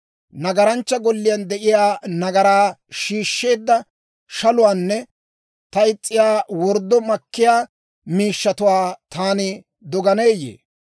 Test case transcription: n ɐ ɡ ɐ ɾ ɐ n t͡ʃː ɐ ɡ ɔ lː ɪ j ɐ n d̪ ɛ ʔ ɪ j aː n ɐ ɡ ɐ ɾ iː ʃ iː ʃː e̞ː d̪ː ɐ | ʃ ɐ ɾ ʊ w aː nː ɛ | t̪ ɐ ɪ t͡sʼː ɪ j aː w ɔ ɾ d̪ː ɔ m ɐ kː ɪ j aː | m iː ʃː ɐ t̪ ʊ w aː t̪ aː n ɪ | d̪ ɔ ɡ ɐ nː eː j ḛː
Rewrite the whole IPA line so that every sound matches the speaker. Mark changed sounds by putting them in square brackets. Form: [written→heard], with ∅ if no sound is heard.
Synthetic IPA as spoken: n ɐ ɡ ɐ ɾ ɐ n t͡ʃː ɐ ɡ ɔ lː ɪ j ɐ n d̪ ɛ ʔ ɪ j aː n ɐ ɡ ɐ ɾ [iː→aː] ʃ iː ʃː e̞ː d̪ː ɐ | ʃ ɐ [ɾ→l] ʊ w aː nː ɛ | t̪ ɐ ɪ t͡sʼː ɪ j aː w ɔ ɾ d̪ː ɔ m ɐ kː ɪ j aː | m iː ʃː ɐ t̪ ʊ w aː t̪ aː n ɪ | d̪ ɔ ɡ ɐ [nː→n] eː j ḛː